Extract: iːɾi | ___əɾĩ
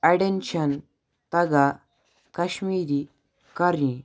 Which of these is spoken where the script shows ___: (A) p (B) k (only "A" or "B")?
B